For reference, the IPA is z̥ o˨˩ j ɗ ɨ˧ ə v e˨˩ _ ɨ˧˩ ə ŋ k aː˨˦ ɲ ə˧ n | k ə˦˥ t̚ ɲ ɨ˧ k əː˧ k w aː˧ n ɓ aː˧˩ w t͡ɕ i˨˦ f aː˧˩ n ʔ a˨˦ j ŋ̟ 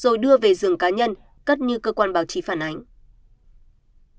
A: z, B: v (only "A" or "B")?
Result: A